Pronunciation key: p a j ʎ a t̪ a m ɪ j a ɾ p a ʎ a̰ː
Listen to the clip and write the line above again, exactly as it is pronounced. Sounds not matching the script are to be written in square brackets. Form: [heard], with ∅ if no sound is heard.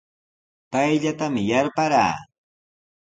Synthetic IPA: p a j ʎ a t̪ a m ɪ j a ɾ p a [ɾ] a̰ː

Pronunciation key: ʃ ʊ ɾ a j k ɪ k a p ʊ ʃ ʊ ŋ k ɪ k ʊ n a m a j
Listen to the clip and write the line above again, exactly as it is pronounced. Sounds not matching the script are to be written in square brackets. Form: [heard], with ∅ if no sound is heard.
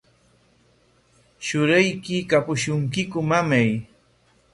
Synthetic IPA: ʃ ʊ ɾ a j k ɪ k a p ʊ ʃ ʊ ŋ k ɪ k ʊ [m] a m a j

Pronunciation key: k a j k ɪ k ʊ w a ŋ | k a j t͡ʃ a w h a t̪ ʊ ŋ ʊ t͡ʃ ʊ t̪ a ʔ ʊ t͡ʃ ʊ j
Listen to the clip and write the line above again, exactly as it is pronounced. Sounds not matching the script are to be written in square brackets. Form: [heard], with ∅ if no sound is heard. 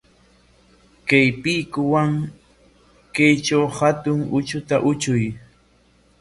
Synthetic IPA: k a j [p] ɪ k ʊ w a ŋ | k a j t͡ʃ a w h a t̪ ʊ ŋ ʊ t͡ʃ ʊ t̪ a ʔ ʊ t͡ʃ ʊ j

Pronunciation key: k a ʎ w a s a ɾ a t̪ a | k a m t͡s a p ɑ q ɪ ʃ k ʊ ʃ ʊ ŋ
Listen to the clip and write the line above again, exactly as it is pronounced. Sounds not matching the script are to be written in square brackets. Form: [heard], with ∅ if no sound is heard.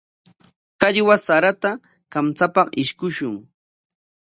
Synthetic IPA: k a ʎ w a s a ɾ a t̪ a | k a m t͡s a p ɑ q ɪ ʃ k ʊ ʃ ʊ ŋ

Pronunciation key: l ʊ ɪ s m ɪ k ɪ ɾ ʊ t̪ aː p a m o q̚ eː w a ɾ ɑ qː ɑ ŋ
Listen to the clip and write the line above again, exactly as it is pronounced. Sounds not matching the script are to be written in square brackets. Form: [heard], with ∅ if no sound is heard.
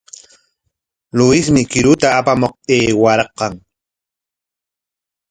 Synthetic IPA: l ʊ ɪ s m ɪ k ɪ ɾ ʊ t̪ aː p a m o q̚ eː w a ɾ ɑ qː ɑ ŋ

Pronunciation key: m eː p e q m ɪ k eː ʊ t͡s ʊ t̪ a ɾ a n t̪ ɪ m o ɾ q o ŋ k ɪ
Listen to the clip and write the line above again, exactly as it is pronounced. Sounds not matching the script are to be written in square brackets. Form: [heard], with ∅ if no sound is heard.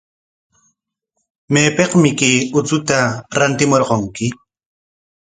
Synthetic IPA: m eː p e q m ɪ k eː ʊ t͡s ʊ t̪ a ɾ a n t̪ ɪ m o ɾ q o ŋ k ɪ

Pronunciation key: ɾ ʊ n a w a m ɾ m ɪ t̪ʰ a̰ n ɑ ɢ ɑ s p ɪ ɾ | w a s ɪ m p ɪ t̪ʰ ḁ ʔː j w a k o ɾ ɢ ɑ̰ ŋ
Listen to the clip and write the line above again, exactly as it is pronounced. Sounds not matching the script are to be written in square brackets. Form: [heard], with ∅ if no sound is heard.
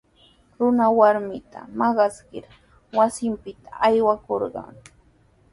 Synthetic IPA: ɾ ʊ n a w a [∅] ɾ m ɪ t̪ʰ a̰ [m] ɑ ɢ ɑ s [k] ɪ ɾ | w a s ɪ m p ɪ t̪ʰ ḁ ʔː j w a k o ɾ ɢ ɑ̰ ŋ

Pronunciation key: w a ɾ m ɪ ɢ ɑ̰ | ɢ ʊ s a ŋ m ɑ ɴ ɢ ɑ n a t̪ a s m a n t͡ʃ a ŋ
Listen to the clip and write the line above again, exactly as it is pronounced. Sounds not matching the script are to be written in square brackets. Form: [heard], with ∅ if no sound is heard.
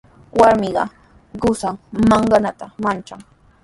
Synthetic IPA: w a ɾ m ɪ ɢ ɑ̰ | ɢ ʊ s a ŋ m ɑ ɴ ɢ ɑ n a t̪ a [∅] m a n t͡ʃ a ŋ

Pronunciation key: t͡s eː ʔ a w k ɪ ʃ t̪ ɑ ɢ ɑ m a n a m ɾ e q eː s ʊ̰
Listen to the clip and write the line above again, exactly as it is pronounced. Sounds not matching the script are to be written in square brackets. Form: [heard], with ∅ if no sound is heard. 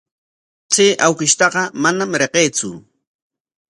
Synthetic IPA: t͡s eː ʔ a w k ɪ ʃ t̪ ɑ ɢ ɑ m a n a m ɾ e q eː [t͡s] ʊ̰

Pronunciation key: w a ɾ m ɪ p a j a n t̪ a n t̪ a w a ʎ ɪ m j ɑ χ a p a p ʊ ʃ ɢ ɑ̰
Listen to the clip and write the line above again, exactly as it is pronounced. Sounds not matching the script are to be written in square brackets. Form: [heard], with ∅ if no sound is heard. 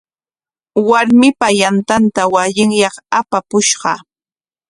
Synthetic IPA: w a ɾ m ɪ p a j a n t̪ a n t̪ a w a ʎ ɪ [ŋ] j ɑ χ a p a p ʊ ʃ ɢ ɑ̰

